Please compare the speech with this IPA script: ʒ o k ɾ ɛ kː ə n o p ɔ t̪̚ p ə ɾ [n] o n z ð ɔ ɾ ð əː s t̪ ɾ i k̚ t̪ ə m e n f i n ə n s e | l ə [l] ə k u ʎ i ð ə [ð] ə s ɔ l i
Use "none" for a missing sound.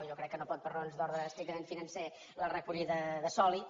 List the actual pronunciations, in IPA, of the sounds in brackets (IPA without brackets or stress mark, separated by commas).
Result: n, r, ð